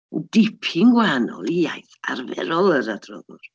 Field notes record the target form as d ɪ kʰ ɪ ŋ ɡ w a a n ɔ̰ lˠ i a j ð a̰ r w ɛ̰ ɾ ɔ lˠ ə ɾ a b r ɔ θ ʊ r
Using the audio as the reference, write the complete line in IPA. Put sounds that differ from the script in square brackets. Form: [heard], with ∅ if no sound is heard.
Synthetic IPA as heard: d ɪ [pʰ] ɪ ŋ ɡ w a a n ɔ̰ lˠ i a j [θ] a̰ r [v] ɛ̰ ɾ ɔ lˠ ə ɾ a [d] r ɔ [ð] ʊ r